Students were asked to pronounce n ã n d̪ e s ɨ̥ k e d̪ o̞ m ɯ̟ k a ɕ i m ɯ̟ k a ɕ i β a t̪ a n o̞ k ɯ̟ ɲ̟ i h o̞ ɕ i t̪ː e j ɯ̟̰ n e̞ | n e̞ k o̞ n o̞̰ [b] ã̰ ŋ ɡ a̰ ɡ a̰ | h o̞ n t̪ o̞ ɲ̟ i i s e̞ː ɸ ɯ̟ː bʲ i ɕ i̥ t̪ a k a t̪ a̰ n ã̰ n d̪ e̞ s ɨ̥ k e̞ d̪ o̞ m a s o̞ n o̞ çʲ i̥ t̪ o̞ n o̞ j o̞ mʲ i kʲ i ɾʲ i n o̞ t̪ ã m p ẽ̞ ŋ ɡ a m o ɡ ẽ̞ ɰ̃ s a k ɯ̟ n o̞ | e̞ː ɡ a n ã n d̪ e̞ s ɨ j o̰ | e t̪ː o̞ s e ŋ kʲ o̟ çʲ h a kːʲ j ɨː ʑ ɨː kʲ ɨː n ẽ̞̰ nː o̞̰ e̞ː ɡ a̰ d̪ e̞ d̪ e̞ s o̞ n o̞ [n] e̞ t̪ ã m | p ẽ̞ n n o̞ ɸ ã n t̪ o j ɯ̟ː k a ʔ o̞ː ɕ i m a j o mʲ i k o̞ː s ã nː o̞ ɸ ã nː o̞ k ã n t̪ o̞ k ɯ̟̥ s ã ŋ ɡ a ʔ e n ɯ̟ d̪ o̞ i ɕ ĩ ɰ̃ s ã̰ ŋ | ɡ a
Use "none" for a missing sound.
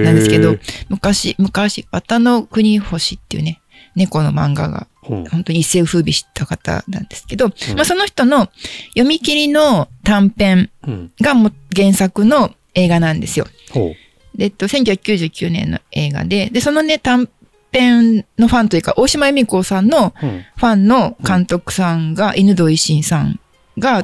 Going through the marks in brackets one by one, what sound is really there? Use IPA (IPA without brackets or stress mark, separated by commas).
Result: m, n